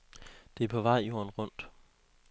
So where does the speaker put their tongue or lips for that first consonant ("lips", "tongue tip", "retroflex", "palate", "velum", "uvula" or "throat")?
tongue tip